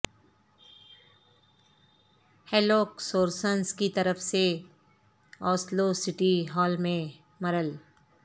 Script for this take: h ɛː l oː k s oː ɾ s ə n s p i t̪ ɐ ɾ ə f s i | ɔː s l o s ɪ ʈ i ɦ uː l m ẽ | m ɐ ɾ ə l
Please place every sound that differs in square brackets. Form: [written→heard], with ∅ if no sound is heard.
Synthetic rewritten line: h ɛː l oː k s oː ɾ s ə n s [p→k] i t̪ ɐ ɾ ə f s [i→e] | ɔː s l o s ɪ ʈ i ɦ [uː→ɔː] l m ẽ | m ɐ ɾ ə l